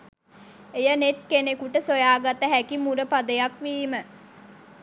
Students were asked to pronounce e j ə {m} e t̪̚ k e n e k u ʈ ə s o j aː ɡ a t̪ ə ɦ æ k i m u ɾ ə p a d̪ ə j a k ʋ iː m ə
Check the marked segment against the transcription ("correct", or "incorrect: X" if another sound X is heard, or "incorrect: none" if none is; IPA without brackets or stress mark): incorrect: n